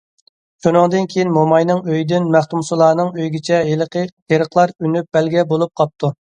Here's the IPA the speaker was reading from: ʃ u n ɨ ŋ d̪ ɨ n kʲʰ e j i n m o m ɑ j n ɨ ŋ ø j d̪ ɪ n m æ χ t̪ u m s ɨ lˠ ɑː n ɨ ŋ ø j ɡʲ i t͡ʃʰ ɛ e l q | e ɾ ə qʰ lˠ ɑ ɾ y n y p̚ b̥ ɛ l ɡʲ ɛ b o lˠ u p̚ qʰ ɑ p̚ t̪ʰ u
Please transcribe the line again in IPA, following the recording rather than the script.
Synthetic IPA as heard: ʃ u n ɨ ŋ d̪ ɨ n kʲʰ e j i n m o m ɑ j n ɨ ŋ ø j d̪ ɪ n m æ χ t̪ u m s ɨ lˠ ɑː n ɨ ŋ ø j ɡʲ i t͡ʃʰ ɛ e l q | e ɾ ə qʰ lˠ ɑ ɾ y n y p̚ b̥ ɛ l ɡʲ ɛ b o lˠ u p̚ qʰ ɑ p̚ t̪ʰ u